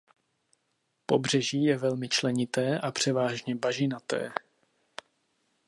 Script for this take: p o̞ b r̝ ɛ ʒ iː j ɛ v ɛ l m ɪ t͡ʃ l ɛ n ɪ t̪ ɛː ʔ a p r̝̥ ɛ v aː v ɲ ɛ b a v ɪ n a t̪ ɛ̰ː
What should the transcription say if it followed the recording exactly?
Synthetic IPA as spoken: p o̞ b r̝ ɛ ʒ iː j ɛ v ɛ l m ɪ t͡ʃ l ɛ ɲ ɪ t̪ ɛː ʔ a p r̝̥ ɛ v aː ʒ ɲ ɛ b a ʒ ɪ n a t̪ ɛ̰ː